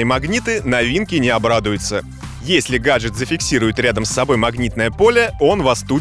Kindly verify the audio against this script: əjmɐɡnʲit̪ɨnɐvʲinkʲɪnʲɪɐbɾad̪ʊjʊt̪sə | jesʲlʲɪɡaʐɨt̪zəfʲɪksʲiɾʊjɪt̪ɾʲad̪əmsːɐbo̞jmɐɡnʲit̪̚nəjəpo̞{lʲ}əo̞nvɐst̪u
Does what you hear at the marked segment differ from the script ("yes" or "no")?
no